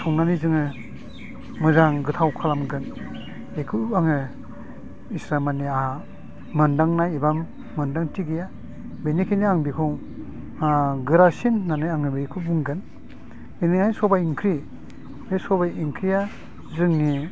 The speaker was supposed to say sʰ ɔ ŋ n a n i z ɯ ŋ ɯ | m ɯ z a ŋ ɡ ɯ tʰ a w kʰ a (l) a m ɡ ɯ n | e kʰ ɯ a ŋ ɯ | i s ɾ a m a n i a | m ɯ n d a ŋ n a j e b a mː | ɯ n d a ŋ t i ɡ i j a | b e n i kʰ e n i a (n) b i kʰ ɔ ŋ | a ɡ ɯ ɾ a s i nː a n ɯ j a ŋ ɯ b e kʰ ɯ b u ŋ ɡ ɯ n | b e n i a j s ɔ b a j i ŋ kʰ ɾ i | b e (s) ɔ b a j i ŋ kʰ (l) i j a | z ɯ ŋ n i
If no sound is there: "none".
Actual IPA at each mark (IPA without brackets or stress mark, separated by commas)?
l, ŋ, s, ɾ